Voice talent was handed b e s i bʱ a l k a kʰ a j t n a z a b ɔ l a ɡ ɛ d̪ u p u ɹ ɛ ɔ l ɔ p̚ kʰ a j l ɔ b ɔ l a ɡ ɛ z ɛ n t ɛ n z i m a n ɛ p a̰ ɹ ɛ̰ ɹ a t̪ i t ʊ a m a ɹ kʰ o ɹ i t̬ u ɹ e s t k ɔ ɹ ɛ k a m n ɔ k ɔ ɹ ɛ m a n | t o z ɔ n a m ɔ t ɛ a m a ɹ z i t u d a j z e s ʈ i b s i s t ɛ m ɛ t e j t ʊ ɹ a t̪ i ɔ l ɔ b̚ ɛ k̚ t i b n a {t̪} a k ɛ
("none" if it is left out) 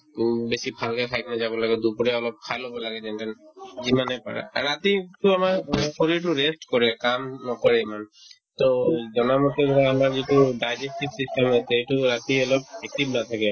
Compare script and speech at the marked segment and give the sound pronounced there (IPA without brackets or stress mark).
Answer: t̪ʰ